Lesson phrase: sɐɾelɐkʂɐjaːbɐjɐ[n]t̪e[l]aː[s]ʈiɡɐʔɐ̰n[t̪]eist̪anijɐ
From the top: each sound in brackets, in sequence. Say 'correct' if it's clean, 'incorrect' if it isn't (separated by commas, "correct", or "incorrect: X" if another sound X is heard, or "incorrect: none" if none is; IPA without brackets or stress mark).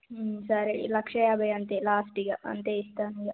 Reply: correct, correct, correct, correct